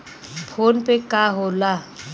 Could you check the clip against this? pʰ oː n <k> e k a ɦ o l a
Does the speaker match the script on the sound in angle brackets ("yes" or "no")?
no